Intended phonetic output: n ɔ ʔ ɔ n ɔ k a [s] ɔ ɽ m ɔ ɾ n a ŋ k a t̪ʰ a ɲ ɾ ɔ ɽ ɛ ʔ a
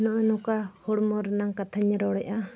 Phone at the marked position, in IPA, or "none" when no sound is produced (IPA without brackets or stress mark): h